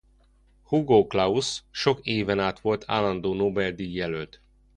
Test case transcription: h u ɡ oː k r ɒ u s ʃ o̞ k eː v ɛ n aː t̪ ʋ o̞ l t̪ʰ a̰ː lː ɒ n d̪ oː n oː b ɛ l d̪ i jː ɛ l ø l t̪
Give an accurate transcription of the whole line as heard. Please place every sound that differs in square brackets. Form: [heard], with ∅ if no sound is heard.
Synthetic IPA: h u ɡ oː k [l] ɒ u s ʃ o̞ k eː v ɛ n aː t̪ ʋ o̞ l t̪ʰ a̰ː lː ɒ n d̪ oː n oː b ɛ l d̪ i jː ɛ l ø l t̪